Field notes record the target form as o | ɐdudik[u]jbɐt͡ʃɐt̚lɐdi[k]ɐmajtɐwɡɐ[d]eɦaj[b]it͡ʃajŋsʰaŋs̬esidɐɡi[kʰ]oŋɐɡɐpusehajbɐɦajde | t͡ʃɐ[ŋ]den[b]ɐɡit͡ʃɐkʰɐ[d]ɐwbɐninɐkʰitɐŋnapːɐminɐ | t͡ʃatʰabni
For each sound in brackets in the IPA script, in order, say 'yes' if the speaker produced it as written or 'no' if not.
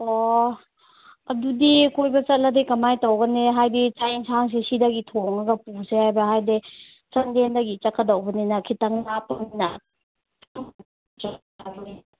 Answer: no, yes, no, no, no, no, no, yes

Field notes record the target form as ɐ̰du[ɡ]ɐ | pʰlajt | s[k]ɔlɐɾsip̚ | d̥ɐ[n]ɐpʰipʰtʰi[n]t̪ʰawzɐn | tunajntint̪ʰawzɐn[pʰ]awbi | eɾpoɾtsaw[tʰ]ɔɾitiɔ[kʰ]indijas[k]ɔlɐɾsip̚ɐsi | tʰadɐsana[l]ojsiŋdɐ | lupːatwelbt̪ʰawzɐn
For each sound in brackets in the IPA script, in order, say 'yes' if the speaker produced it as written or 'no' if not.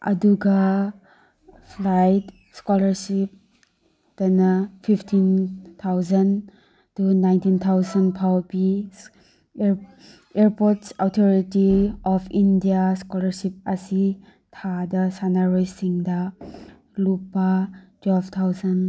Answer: yes, yes, yes, yes, yes, yes, no, yes, no

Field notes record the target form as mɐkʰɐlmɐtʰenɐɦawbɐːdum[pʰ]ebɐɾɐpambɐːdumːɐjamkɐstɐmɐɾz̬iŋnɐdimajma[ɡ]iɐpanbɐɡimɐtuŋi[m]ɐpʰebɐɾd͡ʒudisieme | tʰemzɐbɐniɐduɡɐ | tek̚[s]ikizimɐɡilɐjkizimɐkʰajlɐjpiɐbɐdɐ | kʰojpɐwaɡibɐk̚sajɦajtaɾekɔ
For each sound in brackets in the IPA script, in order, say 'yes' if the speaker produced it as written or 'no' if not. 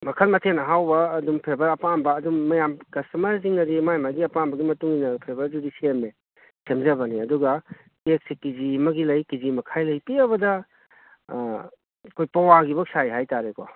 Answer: yes, yes, no, yes

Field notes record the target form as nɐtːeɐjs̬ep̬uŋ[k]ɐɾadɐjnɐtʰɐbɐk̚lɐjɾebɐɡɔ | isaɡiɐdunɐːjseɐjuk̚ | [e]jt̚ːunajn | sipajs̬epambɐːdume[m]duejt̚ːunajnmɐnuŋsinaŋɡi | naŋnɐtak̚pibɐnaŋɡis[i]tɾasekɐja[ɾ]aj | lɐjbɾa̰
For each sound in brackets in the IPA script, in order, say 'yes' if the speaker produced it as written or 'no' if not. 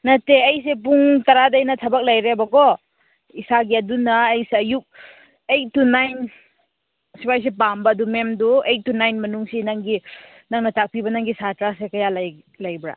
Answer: no, yes, yes, no, no

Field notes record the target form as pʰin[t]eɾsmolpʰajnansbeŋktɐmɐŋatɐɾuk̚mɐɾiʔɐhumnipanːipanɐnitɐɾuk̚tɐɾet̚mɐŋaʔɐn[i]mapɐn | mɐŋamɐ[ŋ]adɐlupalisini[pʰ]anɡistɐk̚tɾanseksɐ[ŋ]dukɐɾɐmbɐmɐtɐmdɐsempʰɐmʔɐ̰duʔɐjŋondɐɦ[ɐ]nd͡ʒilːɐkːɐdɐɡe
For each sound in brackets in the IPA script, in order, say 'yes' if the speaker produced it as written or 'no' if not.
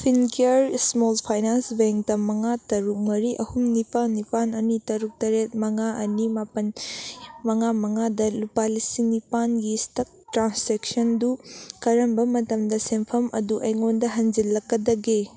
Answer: no, yes, yes, no, no, yes

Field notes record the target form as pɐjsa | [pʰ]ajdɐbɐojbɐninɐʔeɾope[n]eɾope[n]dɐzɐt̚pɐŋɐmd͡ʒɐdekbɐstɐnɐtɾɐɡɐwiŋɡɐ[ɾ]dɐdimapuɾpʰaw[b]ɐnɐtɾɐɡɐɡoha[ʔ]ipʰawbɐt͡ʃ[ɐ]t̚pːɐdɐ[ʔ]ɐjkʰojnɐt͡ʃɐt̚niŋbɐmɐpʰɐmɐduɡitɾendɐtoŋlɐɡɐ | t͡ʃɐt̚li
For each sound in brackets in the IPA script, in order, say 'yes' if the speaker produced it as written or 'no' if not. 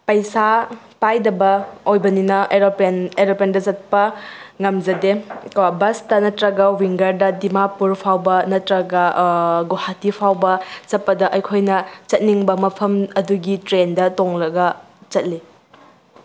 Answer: no, yes, yes, yes, yes, no, yes, yes

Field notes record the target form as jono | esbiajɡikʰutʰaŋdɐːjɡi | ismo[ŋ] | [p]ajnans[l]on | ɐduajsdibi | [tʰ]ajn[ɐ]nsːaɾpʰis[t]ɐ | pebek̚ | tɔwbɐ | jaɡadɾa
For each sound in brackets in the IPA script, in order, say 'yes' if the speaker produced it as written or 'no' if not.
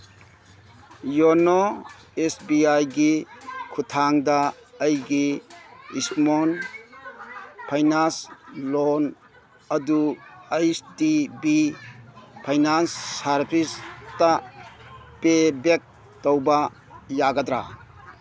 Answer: no, no, yes, no, no, yes

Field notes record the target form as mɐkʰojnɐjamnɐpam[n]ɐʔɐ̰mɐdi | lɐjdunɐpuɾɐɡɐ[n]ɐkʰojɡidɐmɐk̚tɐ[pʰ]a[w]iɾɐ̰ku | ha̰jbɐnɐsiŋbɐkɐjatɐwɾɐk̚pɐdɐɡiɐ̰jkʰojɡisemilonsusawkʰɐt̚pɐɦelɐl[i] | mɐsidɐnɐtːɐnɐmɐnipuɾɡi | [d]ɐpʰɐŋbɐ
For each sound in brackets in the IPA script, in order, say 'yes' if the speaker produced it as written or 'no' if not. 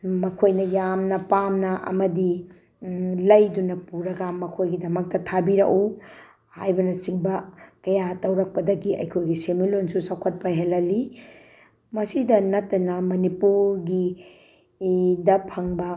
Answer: yes, no, no, no, yes, yes

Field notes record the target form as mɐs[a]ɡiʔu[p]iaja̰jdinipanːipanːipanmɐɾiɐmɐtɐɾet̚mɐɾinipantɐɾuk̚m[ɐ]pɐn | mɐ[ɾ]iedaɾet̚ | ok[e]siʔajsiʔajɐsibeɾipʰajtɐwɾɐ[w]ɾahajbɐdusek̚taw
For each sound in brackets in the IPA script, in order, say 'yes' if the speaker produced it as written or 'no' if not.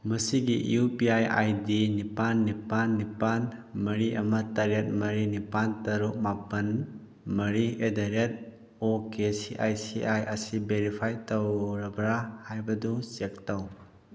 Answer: no, yes, no, yes, yes, no

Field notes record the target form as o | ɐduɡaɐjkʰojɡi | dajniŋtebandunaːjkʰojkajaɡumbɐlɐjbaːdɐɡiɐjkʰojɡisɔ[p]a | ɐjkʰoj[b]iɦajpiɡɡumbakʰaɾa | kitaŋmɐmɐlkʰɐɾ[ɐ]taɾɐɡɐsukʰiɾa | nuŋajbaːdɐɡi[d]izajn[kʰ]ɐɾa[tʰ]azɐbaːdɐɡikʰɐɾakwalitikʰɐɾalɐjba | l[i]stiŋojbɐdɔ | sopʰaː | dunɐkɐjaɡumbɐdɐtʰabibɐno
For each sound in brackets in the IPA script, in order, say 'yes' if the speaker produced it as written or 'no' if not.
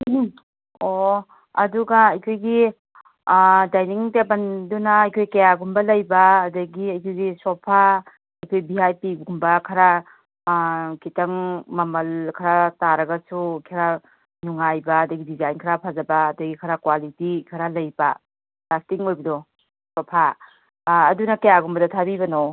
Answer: no, yes, no, yes, yes, no, no

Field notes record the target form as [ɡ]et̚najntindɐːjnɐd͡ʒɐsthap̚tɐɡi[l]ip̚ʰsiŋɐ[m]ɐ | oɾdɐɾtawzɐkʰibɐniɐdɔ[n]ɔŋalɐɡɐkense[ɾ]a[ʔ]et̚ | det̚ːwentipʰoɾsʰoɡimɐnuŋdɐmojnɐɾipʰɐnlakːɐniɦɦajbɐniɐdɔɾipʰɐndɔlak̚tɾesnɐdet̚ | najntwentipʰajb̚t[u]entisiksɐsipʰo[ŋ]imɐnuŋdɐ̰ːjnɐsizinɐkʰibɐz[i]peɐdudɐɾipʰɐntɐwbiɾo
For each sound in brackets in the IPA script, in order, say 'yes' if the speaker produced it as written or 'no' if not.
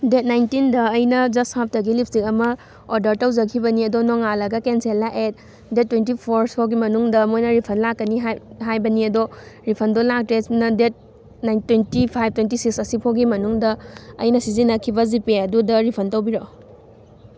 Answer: no, yes, yes, yes, no, yes, no, no, yes

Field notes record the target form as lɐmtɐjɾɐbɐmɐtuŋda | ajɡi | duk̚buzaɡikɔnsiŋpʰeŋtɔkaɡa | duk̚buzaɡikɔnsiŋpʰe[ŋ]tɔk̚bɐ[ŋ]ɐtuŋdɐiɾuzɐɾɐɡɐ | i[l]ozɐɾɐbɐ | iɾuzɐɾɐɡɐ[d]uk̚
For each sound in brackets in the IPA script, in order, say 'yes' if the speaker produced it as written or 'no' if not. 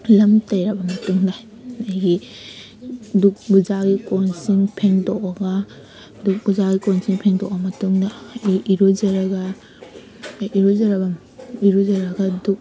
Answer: yes, no, no, yes

